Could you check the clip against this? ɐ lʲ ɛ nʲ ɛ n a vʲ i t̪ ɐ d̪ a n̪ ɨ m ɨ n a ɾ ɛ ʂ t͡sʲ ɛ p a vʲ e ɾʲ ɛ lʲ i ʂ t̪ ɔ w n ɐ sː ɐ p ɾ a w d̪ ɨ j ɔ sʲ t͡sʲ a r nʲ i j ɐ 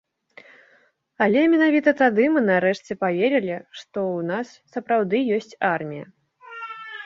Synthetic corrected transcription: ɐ lʲ ɛ mʲ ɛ n a vʲ i t̪ ɐ t̪ a d̪ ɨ m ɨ n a ɾ ɛ ʂ t͡sʲ ɛ p a vʲ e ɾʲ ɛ lʲ i ʂ t̪ ɔ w n a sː ɐ p ɾ a w d̪ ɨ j ɔ sʲ t͡sʲ a r mʲ i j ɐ